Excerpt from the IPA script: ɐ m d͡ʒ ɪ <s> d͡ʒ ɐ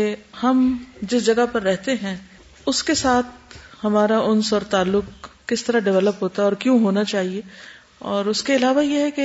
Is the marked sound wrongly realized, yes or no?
no